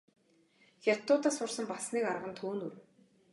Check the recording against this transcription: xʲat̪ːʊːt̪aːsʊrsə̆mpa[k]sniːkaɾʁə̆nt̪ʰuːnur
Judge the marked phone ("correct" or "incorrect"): incorrect